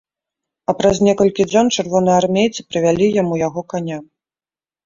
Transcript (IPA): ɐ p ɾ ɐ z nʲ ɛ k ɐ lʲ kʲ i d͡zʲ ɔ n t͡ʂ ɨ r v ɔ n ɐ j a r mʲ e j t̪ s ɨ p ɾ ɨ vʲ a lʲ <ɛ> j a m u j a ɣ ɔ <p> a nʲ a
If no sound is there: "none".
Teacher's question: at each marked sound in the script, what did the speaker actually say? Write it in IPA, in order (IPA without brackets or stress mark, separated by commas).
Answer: i, k